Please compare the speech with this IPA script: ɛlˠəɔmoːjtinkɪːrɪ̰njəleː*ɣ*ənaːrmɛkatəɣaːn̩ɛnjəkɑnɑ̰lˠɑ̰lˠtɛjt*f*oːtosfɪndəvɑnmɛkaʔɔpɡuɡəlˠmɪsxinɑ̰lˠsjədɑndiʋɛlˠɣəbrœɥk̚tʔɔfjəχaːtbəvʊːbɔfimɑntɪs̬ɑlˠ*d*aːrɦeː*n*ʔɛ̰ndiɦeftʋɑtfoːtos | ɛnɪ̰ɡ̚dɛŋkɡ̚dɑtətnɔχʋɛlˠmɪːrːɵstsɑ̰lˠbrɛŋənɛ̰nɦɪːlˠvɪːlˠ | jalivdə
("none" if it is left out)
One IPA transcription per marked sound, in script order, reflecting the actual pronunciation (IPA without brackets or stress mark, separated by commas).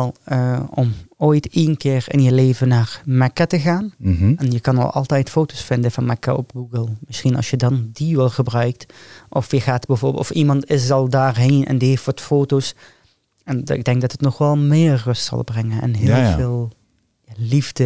v, f, d, n